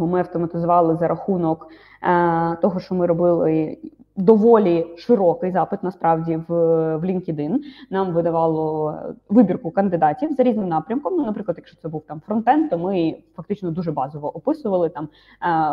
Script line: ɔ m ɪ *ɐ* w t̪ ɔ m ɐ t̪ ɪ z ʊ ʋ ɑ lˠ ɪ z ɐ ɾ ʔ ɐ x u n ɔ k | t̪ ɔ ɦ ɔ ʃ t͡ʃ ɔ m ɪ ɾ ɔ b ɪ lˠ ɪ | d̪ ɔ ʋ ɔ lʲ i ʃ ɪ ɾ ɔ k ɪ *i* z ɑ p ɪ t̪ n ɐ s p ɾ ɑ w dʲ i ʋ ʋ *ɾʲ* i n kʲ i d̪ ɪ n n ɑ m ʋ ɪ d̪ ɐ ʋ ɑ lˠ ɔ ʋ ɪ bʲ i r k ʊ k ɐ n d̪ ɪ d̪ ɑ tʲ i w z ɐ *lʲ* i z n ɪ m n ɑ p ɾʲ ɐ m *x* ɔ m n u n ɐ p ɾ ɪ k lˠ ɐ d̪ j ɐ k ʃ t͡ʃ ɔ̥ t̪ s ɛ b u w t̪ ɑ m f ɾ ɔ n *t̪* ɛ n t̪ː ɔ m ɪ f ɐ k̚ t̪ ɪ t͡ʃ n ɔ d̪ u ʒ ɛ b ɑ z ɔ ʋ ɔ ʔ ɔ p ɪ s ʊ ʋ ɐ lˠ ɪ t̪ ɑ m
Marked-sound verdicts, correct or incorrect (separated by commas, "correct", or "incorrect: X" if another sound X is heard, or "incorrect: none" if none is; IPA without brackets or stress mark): correct, incorrect: j, incorrect: lʲ, incorrect: ɾʲ, incorrect: k, correct